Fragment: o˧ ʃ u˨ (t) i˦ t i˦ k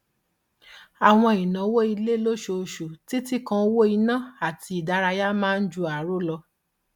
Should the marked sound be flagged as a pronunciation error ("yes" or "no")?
no